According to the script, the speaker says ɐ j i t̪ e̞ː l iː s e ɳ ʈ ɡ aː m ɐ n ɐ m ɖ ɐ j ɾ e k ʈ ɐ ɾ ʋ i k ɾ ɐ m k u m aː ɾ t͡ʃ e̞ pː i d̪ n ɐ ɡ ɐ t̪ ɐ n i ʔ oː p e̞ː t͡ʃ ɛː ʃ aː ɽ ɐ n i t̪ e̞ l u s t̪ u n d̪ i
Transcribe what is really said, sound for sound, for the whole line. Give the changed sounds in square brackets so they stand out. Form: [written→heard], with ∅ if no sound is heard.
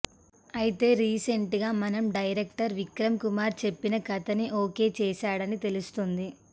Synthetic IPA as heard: ɐ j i t̪ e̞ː [l→ɾ] iː s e ɳ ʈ ɡ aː m ɐ n ɐ m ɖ ɐ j ɾ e k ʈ ɐ ɾ ʋ i k ɾ ɐ m k u m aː ɾ t͡ʃ e̞ pː i [d̪→∅] n ɐ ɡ ɐ t̪ ɐ n i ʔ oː [p→k] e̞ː t͡ʃ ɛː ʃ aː ɽ ɐ n i t̪ e̞ l u s t̪ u n d̪ i